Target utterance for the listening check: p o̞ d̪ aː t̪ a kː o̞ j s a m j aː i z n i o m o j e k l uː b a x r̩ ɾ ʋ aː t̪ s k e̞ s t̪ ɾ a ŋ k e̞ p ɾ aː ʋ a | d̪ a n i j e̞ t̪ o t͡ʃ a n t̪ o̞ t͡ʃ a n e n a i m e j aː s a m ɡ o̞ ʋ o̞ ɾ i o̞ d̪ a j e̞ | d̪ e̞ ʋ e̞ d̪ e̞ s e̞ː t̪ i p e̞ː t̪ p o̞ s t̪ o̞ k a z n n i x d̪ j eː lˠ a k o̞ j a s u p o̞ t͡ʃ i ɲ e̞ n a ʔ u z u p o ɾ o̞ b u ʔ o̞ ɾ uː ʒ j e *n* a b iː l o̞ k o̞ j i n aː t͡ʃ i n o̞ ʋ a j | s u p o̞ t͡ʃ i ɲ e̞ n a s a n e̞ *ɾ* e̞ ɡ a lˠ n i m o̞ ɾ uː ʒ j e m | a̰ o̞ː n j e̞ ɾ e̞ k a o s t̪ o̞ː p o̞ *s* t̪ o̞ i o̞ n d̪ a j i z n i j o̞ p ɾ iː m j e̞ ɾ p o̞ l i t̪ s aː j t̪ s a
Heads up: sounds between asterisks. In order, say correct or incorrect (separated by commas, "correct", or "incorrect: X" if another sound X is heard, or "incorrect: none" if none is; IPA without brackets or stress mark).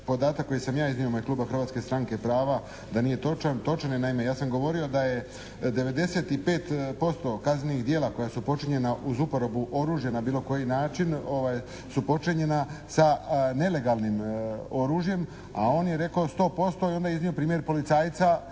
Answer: correct, incorrect: l, correct